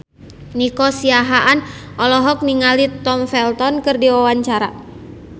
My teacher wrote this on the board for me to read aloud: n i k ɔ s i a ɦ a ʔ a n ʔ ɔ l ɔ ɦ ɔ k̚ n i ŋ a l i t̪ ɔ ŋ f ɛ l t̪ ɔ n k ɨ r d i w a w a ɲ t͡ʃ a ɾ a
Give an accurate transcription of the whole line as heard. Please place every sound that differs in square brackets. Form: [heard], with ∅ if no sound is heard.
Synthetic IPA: n i k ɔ s i a ɦ a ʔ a n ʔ ɔ l ɔ ɦ ɔ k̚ n i ŋ a l i t̪ ɔ [m] f ɛ l t̪ ɔ n k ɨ r d i w a w a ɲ t͡ʃ a ɾ a